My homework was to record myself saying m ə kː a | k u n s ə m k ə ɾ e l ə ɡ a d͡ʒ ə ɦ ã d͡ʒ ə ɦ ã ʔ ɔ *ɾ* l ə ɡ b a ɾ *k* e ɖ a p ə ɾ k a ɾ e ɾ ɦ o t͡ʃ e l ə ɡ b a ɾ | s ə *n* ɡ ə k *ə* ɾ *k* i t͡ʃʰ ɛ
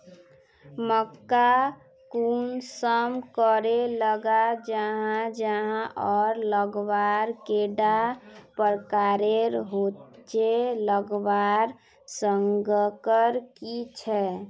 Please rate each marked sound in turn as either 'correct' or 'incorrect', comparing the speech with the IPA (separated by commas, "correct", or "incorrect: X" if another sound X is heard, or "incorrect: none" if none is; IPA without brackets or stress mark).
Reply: correct, correct, incorrect: ŋ, correct, correct